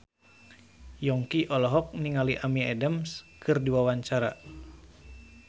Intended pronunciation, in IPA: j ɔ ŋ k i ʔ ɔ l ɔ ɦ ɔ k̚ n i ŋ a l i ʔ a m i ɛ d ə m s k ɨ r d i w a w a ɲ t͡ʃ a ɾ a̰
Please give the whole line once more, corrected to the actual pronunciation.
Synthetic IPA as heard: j ɔ ŋ k i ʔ ɔ l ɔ ɦ ɔ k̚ n i ŋ a l i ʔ a m i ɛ d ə m s k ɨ r d i w a w a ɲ t͡ʃ a ɾ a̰